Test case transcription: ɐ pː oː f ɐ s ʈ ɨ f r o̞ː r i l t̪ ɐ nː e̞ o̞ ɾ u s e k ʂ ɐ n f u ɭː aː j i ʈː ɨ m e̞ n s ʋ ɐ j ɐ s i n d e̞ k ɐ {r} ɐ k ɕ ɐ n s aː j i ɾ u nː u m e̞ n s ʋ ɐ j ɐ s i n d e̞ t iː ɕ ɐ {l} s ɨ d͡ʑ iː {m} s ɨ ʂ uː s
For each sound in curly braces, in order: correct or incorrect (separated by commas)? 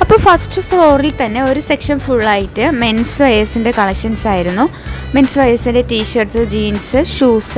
incorrect, incorrect, incorrect